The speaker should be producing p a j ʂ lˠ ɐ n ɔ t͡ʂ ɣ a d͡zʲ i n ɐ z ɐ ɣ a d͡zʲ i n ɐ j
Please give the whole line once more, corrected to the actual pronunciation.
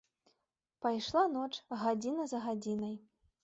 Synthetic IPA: p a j ʂ lˠ a n ɔ t͡ʂ ɣ a d͡zʲ i n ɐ z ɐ ɣ a d͡zʲ i n ɐ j